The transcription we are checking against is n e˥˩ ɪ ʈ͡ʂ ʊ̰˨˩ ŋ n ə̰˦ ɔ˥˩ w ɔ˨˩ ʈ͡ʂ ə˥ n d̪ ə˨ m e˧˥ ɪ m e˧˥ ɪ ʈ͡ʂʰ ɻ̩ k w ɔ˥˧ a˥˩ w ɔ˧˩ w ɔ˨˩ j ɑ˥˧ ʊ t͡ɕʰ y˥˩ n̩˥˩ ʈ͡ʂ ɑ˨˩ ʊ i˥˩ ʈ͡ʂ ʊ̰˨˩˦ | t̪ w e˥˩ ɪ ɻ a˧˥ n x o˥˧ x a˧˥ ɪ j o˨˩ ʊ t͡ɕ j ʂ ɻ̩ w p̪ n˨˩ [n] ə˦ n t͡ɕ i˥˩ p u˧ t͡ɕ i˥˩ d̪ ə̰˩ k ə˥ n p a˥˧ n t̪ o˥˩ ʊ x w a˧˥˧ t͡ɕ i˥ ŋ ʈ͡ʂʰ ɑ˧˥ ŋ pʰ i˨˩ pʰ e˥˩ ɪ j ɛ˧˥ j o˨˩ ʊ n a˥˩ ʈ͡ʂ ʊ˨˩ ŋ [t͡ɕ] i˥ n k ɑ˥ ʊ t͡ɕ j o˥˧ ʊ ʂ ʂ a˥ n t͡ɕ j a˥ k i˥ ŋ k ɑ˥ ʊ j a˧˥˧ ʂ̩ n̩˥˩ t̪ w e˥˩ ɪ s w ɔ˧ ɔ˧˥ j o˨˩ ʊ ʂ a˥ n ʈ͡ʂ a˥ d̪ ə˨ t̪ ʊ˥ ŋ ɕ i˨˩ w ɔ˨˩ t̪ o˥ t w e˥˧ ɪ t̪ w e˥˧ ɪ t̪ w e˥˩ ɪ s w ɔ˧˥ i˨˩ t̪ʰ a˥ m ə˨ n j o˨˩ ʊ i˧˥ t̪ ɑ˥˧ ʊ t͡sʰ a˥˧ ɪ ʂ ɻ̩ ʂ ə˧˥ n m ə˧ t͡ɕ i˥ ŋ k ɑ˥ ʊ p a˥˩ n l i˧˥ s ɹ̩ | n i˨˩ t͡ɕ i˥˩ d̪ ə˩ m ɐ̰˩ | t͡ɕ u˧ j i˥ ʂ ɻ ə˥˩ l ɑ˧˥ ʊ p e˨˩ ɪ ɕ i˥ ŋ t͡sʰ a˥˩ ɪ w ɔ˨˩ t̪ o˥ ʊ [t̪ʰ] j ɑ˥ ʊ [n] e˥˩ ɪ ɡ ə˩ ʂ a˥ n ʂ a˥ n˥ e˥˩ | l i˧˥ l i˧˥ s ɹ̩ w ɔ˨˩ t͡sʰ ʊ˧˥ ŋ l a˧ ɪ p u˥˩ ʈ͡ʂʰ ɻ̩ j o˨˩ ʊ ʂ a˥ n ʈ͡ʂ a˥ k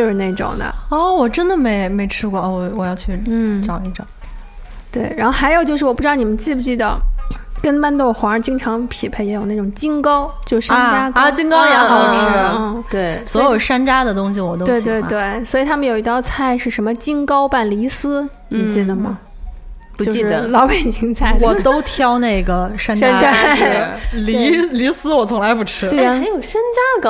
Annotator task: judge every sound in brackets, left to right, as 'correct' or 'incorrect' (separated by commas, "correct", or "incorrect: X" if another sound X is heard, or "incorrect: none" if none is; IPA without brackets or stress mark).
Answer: incorrect: m, correct, correct, correct